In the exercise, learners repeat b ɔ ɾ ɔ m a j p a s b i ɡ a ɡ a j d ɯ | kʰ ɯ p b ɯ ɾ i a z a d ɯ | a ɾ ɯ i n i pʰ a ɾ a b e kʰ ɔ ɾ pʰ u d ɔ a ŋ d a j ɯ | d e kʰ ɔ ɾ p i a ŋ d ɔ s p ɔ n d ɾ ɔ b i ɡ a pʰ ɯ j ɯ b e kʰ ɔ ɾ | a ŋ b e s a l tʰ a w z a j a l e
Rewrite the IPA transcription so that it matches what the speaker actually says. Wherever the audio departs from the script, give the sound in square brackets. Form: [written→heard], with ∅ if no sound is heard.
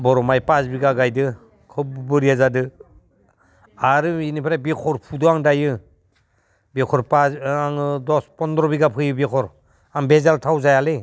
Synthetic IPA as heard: b ɔ ɾ ɔ m a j p a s b i ɡ a ɡ a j d ɯ | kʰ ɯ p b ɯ ɾ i a z a d ɯ | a ɾ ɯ i n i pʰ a ɾ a b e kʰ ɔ ɾ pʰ u d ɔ a ŋ d a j ɯ | [d→b] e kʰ ɔ ɾ p [i→a] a ŋ d ɔ s p ɔ n d ɾ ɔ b i ɡ a pʰ ɯ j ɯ b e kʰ ɔ ɾ | a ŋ b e [s→z] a l tʰ a w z a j a l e